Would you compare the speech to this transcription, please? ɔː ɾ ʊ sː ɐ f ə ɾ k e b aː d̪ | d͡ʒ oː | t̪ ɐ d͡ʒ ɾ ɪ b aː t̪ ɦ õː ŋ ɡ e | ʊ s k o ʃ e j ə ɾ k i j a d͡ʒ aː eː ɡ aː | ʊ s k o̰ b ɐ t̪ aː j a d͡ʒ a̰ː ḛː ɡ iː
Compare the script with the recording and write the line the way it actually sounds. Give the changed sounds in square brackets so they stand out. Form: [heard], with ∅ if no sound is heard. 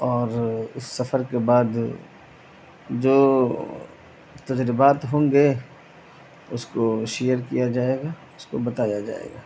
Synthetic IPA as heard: ɔː ɾ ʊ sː ɐ f ə ɾ k e b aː d̪ | d͡ʒ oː | t̪ ɐ d͡ʒ ɾ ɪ b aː t̪ ɦ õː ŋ ɡ e | ʊ s k o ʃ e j ə ɾ k i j a d͡ʒ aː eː ɡ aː | ʊ s k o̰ b ɐ t̪ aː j a d͡ʒ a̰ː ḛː ɡ [aː]